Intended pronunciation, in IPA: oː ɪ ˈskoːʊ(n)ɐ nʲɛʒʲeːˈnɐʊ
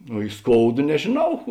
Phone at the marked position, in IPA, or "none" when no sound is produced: d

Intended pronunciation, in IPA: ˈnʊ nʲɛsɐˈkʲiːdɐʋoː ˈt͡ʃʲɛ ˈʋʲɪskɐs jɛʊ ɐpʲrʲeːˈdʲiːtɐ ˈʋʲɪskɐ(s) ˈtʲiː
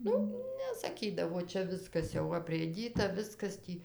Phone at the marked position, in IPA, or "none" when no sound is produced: s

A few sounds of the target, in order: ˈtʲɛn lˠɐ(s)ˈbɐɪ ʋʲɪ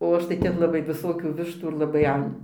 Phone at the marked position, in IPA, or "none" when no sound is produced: none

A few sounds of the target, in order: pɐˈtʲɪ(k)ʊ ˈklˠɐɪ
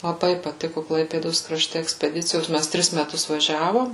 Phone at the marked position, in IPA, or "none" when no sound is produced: k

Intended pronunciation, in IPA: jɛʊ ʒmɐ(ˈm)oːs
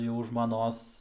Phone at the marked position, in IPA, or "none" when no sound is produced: n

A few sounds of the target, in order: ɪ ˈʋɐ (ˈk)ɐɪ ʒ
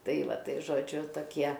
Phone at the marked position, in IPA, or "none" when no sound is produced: t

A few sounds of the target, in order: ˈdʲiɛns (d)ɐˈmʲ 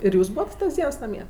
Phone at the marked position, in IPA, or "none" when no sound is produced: n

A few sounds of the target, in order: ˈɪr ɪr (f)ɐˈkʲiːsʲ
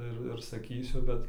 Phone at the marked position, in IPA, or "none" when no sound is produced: s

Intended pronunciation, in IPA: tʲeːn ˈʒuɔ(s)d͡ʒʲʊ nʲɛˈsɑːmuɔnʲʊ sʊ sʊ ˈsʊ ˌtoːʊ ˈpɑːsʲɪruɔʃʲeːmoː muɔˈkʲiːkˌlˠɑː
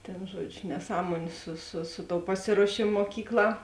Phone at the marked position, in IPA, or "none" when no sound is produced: none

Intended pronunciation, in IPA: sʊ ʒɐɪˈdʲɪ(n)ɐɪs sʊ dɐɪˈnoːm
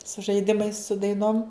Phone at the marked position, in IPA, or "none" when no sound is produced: m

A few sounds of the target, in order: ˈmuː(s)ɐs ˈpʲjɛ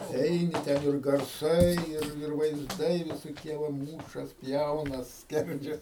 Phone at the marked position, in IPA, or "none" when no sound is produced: ʃ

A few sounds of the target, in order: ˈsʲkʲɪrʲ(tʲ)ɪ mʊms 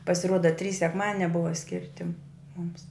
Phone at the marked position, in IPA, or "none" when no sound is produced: tʲ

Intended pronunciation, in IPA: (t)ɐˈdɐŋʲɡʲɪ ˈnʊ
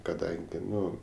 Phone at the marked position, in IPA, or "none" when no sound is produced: k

